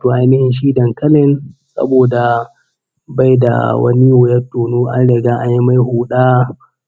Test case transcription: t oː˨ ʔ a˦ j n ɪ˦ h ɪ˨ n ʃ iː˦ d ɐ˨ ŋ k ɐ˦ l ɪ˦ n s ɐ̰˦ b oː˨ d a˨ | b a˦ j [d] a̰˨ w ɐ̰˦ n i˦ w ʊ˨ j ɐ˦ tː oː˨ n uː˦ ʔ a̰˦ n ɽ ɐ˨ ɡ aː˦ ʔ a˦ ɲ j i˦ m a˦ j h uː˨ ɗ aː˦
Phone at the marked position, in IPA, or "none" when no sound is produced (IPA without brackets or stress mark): d